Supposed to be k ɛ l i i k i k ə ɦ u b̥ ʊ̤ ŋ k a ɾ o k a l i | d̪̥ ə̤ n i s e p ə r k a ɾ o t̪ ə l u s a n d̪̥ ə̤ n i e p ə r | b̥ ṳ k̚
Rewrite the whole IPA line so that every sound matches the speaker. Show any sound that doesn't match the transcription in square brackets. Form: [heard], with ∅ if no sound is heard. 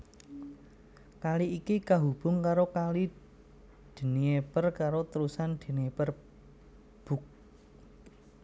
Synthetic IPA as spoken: k [a] l i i k i k [a] ɦ u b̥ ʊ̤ ŋ k a ɾ o k a l i | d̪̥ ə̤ n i [∅] e p ə r k a ɾ o t̪ ə [ɾ] u s a n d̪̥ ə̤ n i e p ə r | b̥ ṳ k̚